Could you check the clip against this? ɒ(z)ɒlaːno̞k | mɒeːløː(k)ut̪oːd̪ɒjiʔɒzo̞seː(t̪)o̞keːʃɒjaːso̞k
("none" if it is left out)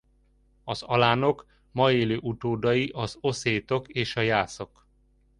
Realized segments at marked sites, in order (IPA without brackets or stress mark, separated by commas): z, ʔ, t̪